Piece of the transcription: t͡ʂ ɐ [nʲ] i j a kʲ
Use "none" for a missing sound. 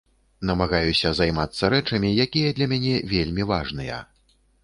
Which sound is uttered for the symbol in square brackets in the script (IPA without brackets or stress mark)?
mʲ